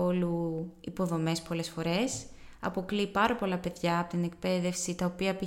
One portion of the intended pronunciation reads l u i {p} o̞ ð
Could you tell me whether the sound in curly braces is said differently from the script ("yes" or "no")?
no